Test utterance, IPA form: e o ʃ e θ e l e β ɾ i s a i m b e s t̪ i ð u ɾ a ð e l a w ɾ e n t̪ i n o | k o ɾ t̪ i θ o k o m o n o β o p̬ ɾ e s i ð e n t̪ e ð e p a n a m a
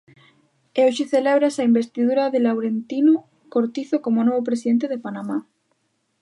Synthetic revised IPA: e o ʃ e θ e l e β ɾ a s a i m b e s t̪ i ð u ɾ a ð e l a w ɾ e n t̪ i n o | k o ɾ t̪ i θ o k o m o n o β o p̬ ɾ e s i ð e n t̪ e ð e p a n a m a

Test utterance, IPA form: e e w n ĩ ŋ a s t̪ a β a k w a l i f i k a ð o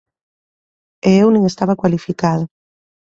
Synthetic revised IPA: e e w n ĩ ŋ e s t̪ a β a k w a l i f i k a ð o

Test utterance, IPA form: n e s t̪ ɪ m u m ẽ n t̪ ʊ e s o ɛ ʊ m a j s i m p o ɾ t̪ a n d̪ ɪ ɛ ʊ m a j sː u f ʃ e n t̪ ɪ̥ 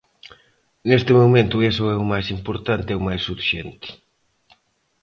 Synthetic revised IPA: n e s t̪ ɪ m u m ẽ n t̪ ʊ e s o ɛ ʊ m a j s i m p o ɾ t̪ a n t̪ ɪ ɛ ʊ m a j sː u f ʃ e n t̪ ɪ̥

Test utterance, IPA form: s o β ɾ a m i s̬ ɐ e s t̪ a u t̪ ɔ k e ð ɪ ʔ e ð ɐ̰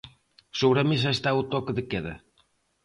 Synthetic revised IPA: s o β ɾ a m i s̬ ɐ e s t̪ a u t̪ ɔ k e ð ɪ k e ð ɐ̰

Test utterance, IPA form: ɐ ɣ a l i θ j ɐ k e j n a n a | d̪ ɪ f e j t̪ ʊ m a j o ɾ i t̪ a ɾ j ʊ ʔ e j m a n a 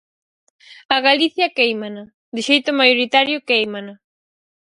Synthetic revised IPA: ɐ ɣ a l i θ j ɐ k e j m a n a | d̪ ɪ ʃ e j t̪ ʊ m a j o ɾ i t̪ a ɾ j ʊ k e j m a n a

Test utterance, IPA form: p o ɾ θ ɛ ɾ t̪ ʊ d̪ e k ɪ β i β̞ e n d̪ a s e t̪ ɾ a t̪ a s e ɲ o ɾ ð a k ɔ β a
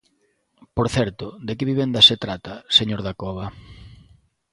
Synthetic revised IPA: p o ɾ θ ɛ ɾ t̪ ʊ d̪ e k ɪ β i β̞ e n d̪ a s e t̪ ɾ a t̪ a s e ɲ o ɾ ð a k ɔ β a

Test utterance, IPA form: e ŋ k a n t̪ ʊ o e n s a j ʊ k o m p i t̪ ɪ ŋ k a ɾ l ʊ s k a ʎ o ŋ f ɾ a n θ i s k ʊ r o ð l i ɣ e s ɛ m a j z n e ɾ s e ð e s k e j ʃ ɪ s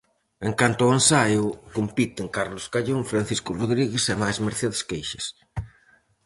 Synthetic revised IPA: e ŋ k a n t̪ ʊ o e n s a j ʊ k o m p i t̪ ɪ ŋ k a ɾ l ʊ s k a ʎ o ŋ f ɾ a n θ i s k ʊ r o ð ɾ i ɣ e s ɛ m a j z m e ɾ θ e ð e s k e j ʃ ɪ s

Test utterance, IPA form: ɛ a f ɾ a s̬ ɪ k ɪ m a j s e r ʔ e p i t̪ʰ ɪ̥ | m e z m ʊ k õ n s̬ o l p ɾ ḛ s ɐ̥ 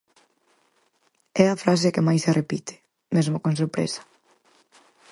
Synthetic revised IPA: ɛ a f ɾ a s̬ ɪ k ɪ m a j s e r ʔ e p i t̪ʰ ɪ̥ | m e z m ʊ k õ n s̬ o ɾ p ɾ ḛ s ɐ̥

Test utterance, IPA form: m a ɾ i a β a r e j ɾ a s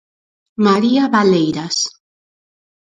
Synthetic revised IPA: m a ɾ i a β a l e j ɾ a s

